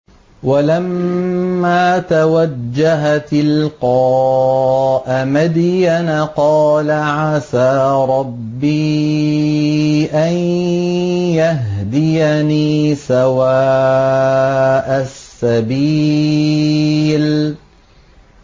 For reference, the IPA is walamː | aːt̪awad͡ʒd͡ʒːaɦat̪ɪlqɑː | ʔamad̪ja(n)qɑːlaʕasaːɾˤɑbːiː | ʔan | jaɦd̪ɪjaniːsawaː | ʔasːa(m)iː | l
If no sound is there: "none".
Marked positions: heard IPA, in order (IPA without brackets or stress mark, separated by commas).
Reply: n, b